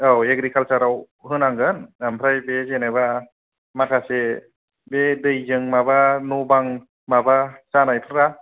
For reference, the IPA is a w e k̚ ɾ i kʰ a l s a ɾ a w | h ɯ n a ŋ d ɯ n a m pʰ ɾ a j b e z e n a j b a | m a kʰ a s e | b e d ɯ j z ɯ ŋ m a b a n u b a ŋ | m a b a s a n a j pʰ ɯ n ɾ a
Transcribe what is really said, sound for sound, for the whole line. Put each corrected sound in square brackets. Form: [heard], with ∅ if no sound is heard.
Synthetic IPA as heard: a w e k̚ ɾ i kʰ a l s a ɾ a w | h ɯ n a ŋ [ɡ] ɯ n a m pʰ ɾ a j b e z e n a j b a | m a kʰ a s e | b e d ɯ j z ɯ ŋ m a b a n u b a ŋ | m a b a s a n a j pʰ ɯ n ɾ a

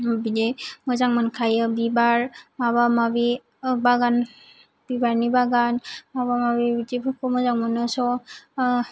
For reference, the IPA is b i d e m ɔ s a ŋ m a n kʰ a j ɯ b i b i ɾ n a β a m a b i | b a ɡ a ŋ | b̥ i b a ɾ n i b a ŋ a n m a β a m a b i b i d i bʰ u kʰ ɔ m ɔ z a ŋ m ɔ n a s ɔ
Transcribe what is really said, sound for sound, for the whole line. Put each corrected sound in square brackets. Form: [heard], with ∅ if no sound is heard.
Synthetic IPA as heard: b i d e m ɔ [z] a ŋ m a n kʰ a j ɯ b i b [a] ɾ [m] a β a m a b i | b a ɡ a [n] | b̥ i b a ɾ n i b a [ɡ] a n m a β a m a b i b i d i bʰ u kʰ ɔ m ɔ z a ŋ m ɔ n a s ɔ

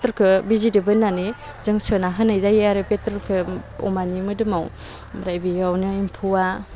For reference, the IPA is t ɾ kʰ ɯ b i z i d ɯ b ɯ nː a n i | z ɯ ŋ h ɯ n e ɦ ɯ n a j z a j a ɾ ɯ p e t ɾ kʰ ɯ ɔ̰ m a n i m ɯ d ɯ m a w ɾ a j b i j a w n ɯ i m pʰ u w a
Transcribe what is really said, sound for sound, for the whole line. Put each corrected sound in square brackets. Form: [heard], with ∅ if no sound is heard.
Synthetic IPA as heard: t ɾ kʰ ɯ b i z i d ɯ b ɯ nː a n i | z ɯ ŋ [s] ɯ n [a] ɦ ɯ n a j z a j a ɾ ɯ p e t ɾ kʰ ɯ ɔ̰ m a n i m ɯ d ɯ m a w ɾ a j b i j a w n ɯ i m pʰ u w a

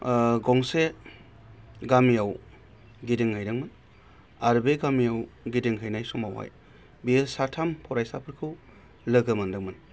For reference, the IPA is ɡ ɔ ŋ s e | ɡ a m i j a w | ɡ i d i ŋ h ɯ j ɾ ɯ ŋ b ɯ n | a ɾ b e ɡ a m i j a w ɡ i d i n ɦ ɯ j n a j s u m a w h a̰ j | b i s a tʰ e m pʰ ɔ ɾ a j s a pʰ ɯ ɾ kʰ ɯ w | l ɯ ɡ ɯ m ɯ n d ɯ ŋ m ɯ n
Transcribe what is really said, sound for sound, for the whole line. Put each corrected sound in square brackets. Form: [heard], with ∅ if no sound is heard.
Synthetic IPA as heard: ɡ ɔ ŋ s e | ɡ a m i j a w | ɡ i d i ŋ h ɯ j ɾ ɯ ŋ [m] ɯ n | a ɾ b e ɡ a m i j a w ɡ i d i [ŋ] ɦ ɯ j n a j s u m a w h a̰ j | b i s a tʰ [a] m pʰ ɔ ɾ a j s a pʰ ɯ ɾ kʰ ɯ w | l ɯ ɡ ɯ m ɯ n d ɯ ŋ m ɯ n

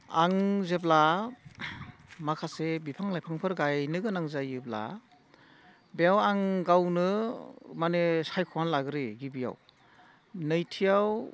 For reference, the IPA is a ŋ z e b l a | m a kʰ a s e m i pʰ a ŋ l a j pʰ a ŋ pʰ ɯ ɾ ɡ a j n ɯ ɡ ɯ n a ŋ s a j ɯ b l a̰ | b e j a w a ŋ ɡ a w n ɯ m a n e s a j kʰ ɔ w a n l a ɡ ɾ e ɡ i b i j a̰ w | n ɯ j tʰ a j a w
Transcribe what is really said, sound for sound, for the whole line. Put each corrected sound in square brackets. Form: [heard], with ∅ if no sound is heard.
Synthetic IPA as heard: a ŋ z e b l a | m a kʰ a s e [b] i pʰ a ŋ l a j pʰ a ŋ pʰ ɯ ɾ ɡ a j n ɯ ɡ ɯ n a ŋ [z] a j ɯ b l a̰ | b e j a w a ŋ ɡ a w n ɯ m a n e s a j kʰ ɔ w a n l a ɡ ɾ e ɡ i b i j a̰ w | n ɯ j tʰ [i] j a w

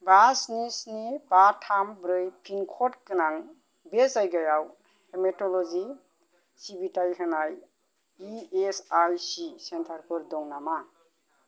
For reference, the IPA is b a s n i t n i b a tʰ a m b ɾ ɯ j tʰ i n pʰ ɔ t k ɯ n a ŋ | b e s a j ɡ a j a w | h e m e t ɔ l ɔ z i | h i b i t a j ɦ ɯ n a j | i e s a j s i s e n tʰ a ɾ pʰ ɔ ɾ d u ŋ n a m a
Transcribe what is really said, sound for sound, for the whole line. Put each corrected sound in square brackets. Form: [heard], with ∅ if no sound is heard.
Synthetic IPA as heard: b a s n i [s] n i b a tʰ a m b ɾ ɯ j [pʰ] i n [kʰ] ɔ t k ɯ n a ŋ | b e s a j ɡ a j a w | h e m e t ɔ l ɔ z i | [s] i b i t a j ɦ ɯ n a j | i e s a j s i s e n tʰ a ɾ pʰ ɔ ɾ d [ɔ] ŋ n a m a

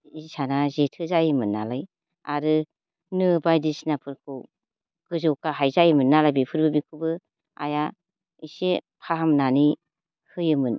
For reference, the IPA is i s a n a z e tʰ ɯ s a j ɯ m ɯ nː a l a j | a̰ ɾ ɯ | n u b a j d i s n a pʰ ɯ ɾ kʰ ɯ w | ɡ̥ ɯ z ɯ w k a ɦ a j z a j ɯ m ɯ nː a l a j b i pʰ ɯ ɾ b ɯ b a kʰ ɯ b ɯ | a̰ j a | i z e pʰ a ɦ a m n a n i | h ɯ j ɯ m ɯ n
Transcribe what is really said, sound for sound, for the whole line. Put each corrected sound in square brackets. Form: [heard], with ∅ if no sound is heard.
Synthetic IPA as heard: i s a n a z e tʰ ɯ [z] a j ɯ m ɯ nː a l a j | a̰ ɾ ɯ | n [ɯ] b a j d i s n a pʰ ɯ ɾ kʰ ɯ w | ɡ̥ ɯ z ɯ w k a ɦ a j z a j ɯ m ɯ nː a l a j b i pʰ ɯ ɾ b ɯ b [i] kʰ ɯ b ɯ | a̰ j a | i [s] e pʰ a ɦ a m n a n i | h ɯ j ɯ m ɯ n

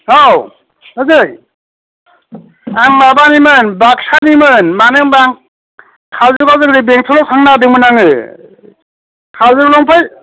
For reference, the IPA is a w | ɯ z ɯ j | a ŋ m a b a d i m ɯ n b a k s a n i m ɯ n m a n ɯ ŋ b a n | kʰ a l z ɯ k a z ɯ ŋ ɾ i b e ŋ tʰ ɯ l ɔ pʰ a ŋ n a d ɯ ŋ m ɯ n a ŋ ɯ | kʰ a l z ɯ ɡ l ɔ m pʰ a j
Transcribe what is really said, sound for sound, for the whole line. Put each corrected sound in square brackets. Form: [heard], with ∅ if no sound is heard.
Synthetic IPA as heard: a w | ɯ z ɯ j | a ŋ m a b a [n] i m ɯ n b a k s a n i m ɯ n m a n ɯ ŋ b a [ŋ] | kʰ a l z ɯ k a z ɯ ŋ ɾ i b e ŋ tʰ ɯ l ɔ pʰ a ŋ n a d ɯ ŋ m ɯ n a ŋ ɯ | kʰ a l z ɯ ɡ l ɔ [ŋ] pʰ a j

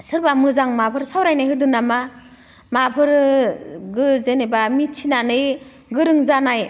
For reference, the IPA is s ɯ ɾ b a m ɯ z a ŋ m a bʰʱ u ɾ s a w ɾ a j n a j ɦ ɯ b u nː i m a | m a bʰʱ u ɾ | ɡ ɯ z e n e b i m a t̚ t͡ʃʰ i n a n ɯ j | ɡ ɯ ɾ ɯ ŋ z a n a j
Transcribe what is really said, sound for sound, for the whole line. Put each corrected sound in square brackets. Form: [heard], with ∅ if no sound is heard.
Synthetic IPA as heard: s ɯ ɾ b a m ɯ z a ŋ m a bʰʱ [ɯ] ɾ s a w ɾ a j n a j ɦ ɯ [d] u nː [a] m a | m a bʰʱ [ɯ] ɾ | ɡ ɯ z e n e b [a] m [i] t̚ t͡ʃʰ i n a n ɯ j | ɡ ɯ ɾ ɯ ŋ z a n a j

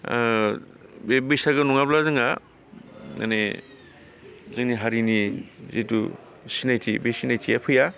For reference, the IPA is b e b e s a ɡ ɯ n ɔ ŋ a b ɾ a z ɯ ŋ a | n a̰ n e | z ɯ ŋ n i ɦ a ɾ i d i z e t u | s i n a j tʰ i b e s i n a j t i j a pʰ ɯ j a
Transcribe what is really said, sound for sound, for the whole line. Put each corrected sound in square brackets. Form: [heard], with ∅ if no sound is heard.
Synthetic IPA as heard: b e b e s a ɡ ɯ n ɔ ŋ a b [l] a z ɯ ŋ a | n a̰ n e | z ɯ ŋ n i ɦ a ɾ i [n] i z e t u | s i n a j tʰ i b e s i n a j [tʰ] i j a pʰ ɯ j a

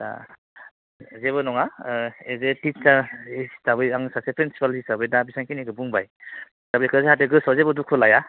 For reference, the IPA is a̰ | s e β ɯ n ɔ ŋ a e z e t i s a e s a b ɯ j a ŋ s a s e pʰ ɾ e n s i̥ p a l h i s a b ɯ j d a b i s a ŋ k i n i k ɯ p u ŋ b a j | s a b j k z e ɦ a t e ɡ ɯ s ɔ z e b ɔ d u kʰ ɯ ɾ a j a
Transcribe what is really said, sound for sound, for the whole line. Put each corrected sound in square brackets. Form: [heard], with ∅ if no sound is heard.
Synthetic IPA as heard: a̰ | [z] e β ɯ n ɔ ŋ a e z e t i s a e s a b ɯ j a ŋ s a s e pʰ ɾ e n s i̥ p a l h i s a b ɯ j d a b i s a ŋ k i n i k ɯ [b] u ŋ b a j | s a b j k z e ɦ a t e ɡ ɯ s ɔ z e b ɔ d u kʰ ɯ [l] a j a

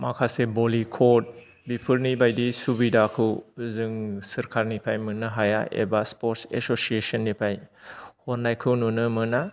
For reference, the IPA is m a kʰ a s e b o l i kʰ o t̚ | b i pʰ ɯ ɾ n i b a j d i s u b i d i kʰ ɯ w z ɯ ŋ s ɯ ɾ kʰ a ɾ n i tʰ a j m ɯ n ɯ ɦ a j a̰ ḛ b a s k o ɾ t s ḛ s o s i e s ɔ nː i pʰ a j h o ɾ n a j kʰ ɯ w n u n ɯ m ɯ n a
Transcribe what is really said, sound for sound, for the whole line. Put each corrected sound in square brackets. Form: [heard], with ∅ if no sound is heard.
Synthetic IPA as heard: m a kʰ a s e b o l i kʰ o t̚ | b i pʰ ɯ ɾ n i b a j d i s u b i d [a] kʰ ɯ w z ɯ ŋ s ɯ ɾ kʰ a ɾ n i [pʰ] a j m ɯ n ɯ ɦ a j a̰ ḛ b a s [p] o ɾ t s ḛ s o s i e s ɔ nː i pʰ a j h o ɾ n a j kʰ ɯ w n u n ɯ m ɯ n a

